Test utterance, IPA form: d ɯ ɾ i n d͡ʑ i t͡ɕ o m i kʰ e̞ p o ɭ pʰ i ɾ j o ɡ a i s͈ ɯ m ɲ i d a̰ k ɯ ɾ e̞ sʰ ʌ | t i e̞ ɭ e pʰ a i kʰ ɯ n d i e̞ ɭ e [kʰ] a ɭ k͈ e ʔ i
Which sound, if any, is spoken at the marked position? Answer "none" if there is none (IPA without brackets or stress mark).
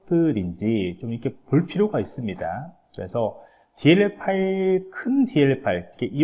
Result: pʰ